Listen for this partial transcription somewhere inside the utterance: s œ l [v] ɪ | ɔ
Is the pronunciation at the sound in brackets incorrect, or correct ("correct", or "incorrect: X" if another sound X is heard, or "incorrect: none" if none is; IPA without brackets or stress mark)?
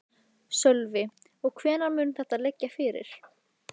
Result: correct